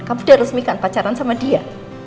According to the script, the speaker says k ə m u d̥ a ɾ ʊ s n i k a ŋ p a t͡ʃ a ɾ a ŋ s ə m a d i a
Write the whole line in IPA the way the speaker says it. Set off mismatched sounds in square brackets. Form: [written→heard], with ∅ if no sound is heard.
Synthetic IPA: k [ə→a] m u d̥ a ɾ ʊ s [n→m] i k a [ŋ→n] p a t͡ʃ a ɾ a [ŋ→n] s [ə→a] m a d i a